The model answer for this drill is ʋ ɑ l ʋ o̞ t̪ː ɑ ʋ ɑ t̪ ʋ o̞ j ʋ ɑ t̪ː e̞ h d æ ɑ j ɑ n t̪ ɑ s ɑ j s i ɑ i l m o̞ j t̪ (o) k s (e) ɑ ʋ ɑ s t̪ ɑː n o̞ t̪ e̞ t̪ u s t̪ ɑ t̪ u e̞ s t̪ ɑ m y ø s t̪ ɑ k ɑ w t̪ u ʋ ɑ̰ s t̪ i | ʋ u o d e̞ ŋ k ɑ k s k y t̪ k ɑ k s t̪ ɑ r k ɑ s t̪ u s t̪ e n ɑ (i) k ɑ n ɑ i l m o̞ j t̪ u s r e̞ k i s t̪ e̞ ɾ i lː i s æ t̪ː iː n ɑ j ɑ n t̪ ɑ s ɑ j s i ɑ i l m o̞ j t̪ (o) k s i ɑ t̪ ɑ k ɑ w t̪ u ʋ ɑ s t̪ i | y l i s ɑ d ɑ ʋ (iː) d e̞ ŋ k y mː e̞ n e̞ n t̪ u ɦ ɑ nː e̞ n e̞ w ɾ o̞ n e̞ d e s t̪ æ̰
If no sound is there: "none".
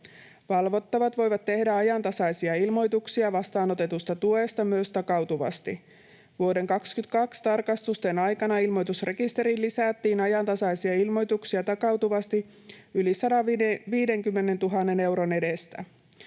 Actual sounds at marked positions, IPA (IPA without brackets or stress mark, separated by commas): u, i, j, u, iː